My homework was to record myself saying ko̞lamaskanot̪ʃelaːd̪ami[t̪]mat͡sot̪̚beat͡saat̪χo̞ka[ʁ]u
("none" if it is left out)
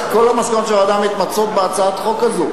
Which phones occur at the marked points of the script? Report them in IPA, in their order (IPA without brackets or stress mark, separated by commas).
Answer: t̪, z